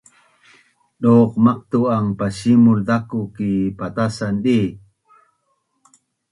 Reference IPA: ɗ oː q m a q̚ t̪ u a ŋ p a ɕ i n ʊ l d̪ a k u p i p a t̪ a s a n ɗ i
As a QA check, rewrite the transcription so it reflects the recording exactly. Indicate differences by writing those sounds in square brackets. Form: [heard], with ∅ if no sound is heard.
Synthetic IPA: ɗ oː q m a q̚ t̪ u a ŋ p a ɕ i [m] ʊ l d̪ a k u [k] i p a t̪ a s a n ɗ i